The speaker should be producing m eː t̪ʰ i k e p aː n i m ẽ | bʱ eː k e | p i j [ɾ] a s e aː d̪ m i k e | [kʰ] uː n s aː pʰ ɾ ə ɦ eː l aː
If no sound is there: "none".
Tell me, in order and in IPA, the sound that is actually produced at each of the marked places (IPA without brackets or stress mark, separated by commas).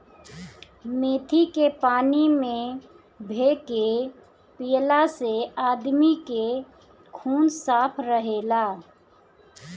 l, kʰ